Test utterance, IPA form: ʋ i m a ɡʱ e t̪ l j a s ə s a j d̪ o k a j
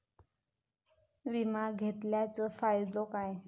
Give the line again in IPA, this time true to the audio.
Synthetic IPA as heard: ʋ i m a ɡʱ e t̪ l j a t͡s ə f a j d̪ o k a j